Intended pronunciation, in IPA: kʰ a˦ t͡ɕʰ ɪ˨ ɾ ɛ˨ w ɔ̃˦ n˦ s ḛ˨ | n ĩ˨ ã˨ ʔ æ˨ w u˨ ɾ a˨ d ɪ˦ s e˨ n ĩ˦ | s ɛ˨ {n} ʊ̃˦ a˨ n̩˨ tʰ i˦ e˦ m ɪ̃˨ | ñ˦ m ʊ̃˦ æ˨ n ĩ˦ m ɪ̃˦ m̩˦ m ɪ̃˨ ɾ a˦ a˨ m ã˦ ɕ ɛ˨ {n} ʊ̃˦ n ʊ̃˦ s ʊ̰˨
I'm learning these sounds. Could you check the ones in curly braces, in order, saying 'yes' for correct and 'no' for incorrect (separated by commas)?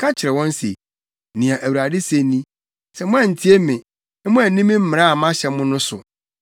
no, no